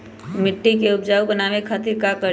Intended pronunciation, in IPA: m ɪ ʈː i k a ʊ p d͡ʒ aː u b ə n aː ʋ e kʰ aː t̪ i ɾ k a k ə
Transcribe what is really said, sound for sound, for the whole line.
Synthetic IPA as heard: m ɪ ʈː i k e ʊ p d͡ʒ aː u b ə n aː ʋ e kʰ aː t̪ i ɾ k a k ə